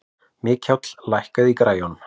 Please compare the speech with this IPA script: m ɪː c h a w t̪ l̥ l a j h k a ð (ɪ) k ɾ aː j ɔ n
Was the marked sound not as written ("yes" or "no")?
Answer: yes